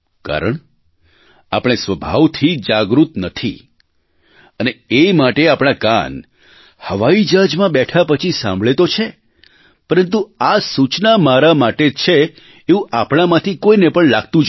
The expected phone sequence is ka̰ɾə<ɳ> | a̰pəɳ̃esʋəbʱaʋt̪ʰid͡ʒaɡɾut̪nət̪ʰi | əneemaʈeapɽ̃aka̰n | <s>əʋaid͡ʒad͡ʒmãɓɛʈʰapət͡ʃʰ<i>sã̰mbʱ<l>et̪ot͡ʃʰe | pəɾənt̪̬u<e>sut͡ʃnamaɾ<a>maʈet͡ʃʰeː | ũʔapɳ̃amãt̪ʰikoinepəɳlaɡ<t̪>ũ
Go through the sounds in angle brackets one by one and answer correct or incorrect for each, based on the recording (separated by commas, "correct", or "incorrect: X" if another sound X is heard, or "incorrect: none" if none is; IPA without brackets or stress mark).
correct, incorrect: h, correct, incorrect: ɭ, incorrect: a, correct, correct